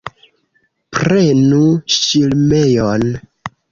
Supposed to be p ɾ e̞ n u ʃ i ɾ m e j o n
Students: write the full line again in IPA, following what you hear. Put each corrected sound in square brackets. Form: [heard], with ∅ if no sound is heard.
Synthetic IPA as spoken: p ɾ e̞ n u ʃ i [l] m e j o n